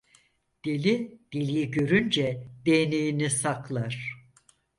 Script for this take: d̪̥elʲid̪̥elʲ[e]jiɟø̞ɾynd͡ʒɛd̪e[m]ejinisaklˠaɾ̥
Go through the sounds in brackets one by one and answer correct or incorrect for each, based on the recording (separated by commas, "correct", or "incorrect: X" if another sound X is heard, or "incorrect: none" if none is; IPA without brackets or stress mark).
incorrect: i, incorrect: n